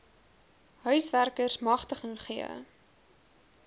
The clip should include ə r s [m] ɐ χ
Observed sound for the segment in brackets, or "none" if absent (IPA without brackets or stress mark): m